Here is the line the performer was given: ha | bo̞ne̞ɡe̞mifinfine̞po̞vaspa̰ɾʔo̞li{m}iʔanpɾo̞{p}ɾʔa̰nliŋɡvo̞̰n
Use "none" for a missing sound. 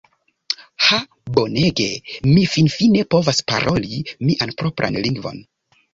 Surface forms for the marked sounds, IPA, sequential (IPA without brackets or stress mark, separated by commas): m, p